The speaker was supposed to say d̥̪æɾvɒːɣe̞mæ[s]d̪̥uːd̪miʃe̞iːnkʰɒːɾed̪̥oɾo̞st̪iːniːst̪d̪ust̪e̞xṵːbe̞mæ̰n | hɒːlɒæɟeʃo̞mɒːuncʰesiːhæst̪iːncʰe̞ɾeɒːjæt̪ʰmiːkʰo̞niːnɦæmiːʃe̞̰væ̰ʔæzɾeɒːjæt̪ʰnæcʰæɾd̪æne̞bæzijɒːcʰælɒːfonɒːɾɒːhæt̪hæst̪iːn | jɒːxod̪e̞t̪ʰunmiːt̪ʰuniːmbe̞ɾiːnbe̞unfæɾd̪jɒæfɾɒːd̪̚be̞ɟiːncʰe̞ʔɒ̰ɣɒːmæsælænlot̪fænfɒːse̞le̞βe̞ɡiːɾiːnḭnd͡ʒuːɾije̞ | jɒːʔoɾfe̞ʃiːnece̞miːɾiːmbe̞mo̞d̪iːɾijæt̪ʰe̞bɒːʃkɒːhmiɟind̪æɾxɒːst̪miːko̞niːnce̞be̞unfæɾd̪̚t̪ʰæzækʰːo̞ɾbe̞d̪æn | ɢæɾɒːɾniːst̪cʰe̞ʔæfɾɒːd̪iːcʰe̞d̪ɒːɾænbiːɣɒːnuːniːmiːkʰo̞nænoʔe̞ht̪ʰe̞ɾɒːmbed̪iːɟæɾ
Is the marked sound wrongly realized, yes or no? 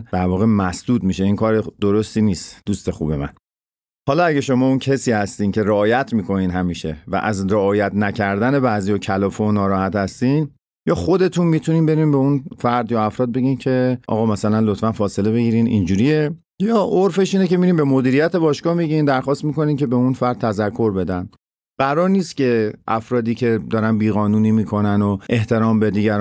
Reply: no